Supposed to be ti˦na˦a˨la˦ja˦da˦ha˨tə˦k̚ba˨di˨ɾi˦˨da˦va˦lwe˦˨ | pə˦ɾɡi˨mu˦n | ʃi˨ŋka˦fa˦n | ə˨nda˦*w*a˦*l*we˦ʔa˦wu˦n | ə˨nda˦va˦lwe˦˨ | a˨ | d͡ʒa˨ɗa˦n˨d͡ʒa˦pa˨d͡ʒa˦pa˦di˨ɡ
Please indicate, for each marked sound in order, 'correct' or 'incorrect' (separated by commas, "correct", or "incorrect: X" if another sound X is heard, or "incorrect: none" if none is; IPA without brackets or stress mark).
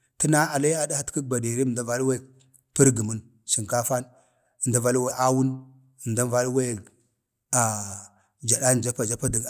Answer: incorrect: v, correct